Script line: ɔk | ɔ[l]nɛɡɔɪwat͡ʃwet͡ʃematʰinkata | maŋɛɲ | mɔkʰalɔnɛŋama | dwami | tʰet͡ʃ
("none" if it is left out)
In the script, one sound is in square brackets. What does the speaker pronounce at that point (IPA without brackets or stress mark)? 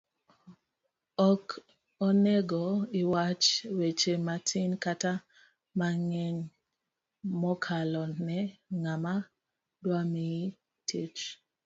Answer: none